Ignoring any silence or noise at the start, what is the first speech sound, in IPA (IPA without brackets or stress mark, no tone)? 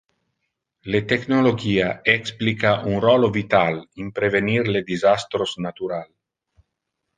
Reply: l